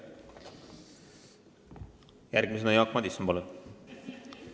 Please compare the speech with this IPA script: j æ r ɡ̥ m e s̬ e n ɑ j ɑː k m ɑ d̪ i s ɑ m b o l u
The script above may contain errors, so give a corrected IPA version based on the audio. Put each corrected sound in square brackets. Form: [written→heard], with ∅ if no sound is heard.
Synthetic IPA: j æ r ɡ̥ m [e→i] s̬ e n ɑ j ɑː k m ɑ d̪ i s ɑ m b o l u